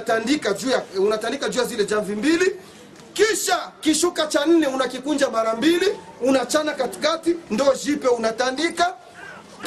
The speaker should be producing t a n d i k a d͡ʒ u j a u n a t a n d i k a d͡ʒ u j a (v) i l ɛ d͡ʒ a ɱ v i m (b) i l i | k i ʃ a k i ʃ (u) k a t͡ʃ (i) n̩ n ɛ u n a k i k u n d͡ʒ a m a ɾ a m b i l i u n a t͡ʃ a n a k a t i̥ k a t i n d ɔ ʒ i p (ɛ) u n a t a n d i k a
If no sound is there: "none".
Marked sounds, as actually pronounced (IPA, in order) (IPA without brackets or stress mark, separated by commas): z, b, u, a, ɛ